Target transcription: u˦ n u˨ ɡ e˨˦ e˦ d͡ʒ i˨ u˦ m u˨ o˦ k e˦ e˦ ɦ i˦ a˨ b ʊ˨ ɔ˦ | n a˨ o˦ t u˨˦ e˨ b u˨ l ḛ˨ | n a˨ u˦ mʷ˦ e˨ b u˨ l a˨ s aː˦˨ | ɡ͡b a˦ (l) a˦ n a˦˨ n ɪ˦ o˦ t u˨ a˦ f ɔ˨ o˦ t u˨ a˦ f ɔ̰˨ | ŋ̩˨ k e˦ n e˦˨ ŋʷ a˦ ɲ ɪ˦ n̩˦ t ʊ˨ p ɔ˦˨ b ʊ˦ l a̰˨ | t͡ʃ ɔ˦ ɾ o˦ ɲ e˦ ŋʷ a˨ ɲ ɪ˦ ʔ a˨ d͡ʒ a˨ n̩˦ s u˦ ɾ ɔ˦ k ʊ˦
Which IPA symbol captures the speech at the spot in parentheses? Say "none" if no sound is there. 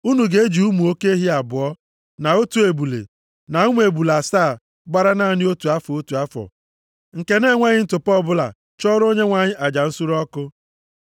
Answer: ɾ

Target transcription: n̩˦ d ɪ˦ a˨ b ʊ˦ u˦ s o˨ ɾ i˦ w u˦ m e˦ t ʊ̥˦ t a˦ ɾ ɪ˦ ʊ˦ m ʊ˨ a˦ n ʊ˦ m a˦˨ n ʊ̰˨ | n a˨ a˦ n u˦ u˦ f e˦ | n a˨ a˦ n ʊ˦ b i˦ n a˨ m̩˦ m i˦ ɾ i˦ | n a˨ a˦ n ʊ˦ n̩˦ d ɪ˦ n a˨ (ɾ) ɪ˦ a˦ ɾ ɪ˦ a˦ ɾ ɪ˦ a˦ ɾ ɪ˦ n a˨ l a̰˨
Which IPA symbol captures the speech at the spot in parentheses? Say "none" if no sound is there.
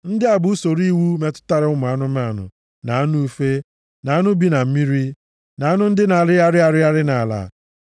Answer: ɾ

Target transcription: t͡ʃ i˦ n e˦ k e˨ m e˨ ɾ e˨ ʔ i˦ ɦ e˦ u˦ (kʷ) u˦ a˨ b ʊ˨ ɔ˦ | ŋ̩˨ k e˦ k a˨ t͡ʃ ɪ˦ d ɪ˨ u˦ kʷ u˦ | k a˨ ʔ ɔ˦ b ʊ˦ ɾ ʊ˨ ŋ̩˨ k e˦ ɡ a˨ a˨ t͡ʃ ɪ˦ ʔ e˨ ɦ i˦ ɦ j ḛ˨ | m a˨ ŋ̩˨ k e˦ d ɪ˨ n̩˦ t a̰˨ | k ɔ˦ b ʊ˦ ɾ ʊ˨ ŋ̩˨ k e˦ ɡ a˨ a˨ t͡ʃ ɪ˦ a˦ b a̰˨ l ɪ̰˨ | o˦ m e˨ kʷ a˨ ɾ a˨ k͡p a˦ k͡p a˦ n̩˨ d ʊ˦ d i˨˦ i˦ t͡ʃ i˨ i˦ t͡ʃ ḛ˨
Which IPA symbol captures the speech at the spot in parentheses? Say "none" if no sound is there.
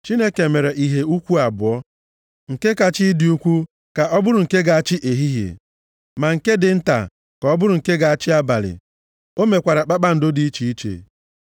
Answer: kʷ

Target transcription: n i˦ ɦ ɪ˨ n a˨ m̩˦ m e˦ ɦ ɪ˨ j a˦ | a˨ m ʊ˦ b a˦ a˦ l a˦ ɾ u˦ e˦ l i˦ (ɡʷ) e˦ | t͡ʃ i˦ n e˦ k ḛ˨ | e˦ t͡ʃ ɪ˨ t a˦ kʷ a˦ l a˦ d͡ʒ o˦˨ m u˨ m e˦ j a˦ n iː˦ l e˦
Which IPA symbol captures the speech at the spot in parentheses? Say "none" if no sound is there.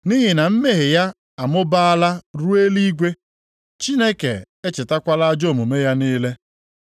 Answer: ɡʷ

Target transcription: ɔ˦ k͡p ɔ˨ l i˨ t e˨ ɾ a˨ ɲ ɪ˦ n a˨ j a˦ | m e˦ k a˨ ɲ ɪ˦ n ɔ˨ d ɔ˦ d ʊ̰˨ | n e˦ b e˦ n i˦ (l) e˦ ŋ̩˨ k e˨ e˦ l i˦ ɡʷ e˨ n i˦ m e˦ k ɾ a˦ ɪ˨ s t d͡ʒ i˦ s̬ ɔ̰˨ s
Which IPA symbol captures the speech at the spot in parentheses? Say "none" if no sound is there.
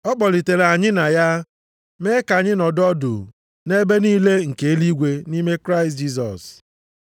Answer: l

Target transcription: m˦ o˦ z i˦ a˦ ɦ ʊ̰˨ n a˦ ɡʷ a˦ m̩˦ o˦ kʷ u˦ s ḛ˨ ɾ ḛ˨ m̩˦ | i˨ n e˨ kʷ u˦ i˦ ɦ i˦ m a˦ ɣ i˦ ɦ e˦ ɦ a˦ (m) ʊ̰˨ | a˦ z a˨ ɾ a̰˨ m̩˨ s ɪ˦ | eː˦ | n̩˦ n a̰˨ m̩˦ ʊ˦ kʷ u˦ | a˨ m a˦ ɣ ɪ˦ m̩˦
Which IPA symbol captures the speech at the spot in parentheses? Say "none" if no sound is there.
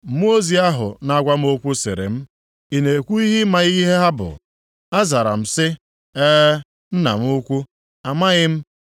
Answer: b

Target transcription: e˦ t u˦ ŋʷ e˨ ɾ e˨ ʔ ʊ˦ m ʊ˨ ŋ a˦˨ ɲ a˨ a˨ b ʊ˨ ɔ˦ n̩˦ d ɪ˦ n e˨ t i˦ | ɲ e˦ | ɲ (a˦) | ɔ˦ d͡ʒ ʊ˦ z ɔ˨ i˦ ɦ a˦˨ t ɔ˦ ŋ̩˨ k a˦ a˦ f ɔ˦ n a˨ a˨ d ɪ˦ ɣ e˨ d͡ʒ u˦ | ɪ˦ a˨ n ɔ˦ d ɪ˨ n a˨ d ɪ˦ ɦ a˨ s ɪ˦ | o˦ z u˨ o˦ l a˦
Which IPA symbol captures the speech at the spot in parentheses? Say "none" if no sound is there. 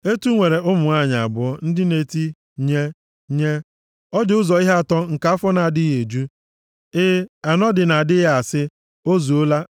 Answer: e˦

